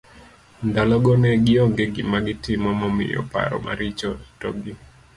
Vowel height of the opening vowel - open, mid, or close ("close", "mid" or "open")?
open